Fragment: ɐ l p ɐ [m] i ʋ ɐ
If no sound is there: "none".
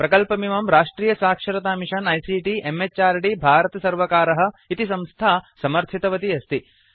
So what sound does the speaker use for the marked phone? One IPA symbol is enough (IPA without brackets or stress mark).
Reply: m